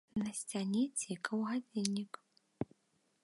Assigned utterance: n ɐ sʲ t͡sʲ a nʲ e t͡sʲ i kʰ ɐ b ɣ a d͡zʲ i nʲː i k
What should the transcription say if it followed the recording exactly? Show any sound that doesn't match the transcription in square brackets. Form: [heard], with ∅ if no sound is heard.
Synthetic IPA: n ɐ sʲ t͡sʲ a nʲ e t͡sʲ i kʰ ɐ [w] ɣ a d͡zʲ i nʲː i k